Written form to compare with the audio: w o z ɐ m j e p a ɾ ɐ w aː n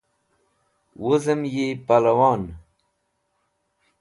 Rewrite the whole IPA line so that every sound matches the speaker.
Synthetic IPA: w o z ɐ m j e p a l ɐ w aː n